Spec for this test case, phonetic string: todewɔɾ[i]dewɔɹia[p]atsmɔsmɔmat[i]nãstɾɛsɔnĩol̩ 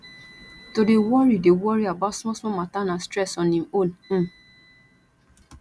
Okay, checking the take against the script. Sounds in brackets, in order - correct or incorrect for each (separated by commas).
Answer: correct, incorrect, incorrect